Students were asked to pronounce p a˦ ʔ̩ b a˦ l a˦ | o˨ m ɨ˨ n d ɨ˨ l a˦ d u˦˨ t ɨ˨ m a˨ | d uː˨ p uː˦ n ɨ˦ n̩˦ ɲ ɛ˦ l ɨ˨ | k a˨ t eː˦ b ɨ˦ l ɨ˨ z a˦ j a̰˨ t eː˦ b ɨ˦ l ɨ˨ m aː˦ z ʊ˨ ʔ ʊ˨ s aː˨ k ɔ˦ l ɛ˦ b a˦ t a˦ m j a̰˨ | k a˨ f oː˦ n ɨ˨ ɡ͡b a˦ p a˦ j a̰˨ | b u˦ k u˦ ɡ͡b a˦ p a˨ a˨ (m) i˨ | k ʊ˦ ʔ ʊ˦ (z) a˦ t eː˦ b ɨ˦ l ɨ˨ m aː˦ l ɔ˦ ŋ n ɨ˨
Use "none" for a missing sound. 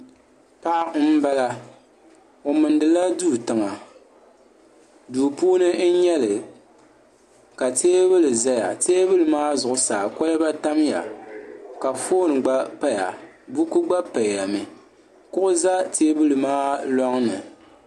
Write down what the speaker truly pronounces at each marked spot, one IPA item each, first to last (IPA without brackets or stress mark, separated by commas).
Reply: m, z